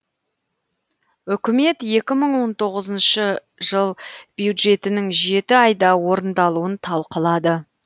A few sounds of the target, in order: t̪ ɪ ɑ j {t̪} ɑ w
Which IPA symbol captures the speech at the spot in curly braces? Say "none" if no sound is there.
d̪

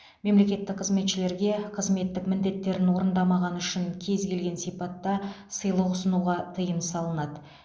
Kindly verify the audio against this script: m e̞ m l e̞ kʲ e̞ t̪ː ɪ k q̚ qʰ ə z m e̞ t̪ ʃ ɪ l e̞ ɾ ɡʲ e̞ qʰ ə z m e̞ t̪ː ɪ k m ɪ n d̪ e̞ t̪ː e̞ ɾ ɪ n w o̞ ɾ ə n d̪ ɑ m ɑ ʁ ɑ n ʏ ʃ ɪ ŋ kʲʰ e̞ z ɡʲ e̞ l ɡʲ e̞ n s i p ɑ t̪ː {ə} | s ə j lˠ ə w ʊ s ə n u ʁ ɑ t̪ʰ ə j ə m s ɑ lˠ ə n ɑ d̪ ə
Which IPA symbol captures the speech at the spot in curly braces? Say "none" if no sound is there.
ɑ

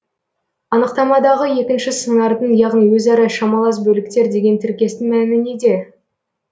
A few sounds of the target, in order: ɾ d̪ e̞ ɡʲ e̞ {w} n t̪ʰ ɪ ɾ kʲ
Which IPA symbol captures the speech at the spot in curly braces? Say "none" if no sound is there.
none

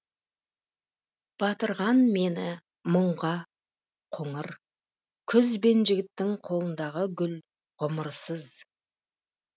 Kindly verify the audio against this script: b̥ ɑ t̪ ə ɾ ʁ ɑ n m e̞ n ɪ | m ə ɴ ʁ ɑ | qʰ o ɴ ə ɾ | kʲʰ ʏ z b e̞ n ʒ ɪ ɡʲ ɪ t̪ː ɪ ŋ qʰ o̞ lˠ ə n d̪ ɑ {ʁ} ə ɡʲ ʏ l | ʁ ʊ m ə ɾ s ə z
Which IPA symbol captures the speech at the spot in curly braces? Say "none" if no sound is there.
ʁ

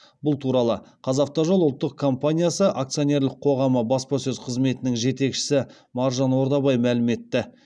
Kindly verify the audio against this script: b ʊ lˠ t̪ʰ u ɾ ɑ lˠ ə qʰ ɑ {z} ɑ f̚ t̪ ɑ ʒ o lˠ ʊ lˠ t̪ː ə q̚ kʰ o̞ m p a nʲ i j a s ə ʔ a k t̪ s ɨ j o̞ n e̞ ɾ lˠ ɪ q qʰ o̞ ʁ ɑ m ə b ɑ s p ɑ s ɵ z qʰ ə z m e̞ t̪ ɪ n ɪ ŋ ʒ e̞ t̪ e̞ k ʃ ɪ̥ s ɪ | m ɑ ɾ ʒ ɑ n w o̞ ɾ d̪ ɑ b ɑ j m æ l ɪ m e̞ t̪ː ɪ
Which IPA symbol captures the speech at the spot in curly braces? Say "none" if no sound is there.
z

